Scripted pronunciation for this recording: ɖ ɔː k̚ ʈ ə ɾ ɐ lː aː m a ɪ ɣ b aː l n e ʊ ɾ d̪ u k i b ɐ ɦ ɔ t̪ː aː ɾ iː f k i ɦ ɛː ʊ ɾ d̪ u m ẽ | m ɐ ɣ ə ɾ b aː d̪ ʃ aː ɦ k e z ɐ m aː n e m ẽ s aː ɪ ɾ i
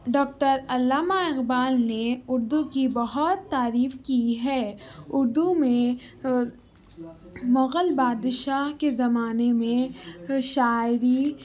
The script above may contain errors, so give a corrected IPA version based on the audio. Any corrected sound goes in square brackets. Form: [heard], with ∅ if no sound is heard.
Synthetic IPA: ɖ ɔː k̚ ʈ ə ɾ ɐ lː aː m a ɪ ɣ b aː l n e ʊ ɾ d̪ u k i b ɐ ɦ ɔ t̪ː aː ɾ iː f k i ɦ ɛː ʊ ɾ d̪ u m ẽ | m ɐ ɣ ə [l] b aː d̪ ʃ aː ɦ k e z ɐ m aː n e m ẽ [ʃ] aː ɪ ɾ i